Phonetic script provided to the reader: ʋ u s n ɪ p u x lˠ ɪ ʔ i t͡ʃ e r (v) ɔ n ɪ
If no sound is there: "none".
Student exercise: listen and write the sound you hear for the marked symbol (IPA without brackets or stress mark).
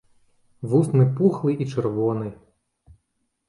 ʋ